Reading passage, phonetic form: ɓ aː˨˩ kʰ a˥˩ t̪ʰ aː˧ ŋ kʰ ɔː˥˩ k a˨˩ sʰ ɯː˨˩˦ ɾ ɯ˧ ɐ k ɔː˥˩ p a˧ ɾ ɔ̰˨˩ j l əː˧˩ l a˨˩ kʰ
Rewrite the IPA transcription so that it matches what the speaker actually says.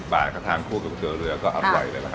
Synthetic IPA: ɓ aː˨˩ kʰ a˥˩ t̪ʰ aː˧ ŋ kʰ uː˥˩ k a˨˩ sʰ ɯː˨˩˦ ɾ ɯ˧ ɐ k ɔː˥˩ ʔ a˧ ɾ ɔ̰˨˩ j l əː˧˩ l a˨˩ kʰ